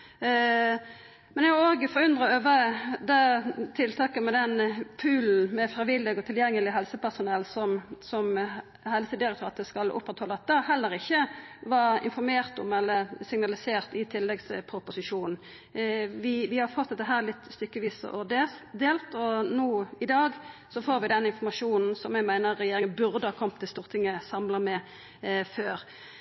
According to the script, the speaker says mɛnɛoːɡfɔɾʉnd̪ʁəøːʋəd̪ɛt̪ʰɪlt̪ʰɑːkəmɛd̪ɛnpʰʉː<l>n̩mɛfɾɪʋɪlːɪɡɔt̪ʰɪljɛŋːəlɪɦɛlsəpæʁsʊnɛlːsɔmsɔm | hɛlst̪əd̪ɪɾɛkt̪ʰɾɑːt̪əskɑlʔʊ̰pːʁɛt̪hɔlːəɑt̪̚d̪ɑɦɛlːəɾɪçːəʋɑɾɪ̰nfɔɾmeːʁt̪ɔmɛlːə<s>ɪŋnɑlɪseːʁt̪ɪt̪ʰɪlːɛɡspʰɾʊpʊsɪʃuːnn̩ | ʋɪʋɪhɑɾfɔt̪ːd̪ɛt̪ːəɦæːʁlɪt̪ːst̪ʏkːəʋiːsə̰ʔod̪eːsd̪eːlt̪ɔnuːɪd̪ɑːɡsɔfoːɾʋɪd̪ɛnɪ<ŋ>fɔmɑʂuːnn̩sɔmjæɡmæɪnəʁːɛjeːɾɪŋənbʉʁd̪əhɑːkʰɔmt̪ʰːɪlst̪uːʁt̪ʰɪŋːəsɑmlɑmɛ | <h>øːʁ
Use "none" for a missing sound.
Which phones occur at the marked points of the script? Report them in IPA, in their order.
l, s, n, f

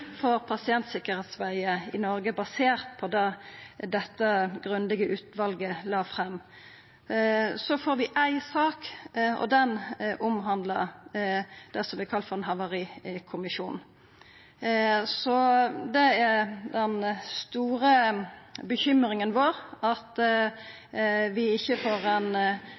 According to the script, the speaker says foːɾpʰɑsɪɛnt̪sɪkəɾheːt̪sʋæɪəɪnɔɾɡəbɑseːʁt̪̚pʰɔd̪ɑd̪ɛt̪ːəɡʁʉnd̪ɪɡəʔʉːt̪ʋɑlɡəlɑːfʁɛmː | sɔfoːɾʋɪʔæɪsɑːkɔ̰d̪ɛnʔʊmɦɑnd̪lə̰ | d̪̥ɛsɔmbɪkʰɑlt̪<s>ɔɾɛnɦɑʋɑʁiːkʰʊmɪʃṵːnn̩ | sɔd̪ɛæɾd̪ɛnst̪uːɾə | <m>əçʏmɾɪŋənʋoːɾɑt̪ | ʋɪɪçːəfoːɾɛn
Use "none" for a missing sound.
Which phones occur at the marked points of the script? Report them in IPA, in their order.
f, b

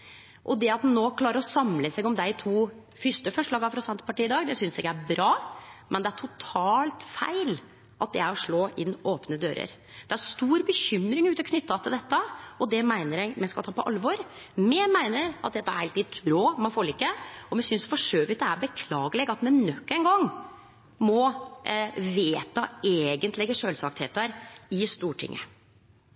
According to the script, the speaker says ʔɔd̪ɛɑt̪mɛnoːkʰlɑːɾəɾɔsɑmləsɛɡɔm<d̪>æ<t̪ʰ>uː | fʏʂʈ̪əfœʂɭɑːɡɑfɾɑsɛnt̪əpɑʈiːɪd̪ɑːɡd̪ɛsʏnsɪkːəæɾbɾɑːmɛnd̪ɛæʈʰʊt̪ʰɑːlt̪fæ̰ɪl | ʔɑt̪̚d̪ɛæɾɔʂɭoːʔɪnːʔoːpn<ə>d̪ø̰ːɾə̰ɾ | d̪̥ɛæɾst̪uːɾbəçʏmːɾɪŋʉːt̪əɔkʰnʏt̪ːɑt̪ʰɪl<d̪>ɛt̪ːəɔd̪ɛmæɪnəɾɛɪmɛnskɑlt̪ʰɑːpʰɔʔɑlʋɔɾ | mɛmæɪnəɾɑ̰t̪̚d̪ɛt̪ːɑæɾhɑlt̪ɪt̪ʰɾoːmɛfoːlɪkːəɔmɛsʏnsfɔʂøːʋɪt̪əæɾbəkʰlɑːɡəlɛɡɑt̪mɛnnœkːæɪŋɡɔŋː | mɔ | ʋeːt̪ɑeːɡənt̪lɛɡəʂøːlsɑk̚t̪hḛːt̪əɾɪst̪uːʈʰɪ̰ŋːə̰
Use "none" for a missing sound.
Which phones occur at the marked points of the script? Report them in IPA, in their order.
d̪, t̪ʰ, ə, d̪

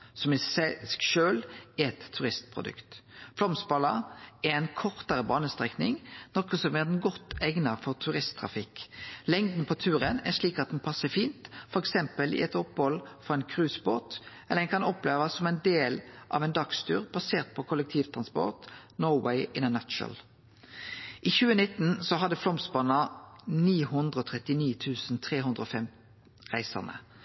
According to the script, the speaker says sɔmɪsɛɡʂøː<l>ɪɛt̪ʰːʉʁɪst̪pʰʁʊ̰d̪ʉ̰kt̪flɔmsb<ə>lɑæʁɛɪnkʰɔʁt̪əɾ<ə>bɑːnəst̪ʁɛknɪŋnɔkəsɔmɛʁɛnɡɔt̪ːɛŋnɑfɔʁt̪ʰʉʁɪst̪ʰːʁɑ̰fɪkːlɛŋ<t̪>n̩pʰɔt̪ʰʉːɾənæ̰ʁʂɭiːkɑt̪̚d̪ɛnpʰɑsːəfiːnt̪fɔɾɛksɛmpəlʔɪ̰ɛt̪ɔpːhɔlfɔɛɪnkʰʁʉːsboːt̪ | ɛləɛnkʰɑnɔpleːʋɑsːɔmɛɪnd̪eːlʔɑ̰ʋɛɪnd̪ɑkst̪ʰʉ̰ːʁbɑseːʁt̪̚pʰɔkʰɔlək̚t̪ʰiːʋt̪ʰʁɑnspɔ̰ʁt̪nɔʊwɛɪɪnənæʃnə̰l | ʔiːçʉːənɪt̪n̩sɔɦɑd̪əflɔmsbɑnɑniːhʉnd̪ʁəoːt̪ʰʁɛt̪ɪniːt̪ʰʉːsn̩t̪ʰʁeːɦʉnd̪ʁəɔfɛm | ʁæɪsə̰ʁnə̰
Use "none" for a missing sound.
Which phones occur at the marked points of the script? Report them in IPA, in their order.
l, ɑ, ə, d̪

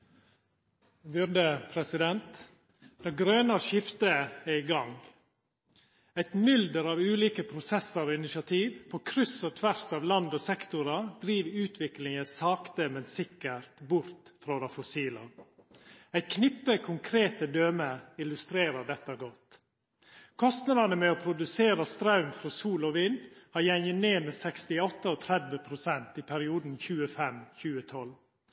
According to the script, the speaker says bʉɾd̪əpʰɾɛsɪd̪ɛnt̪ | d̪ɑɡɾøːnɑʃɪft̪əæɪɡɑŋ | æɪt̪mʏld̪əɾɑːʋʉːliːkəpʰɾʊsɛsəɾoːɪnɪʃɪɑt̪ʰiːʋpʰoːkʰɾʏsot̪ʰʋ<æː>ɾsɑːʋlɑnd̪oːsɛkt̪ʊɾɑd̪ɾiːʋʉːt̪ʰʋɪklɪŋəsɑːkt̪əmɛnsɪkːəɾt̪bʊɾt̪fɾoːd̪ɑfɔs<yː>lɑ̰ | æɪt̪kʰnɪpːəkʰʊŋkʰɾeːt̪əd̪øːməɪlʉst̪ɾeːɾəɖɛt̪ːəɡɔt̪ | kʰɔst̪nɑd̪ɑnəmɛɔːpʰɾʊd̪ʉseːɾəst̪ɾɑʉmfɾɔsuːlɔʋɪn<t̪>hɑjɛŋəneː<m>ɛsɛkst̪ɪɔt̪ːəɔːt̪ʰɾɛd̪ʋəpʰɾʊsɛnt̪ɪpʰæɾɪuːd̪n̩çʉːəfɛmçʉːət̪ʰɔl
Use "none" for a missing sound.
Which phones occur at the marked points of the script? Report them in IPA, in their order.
æ, iː, d̪, m

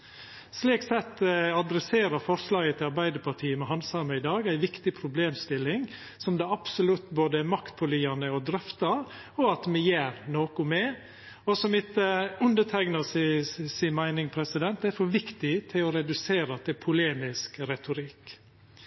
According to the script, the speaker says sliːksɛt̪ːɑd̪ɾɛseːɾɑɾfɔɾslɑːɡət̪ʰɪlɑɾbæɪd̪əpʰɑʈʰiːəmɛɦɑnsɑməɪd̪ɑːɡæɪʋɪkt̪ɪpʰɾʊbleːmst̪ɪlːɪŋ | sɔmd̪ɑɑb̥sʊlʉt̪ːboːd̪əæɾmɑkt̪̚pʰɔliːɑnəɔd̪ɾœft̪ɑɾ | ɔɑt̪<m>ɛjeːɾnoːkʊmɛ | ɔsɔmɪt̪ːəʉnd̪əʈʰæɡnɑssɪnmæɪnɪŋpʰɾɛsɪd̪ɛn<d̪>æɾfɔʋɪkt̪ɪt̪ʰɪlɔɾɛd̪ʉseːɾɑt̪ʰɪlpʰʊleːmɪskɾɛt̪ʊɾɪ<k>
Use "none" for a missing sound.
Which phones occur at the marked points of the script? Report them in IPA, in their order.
m, t̪, k

